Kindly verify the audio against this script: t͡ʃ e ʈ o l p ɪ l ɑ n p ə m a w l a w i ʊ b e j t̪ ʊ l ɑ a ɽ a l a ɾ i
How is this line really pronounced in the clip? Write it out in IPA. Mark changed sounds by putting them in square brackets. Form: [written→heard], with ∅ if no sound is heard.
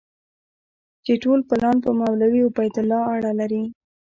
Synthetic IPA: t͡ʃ e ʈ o l p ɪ l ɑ n p ə m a w l a w i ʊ b [e→a] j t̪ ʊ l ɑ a ɽ a l a ɾ i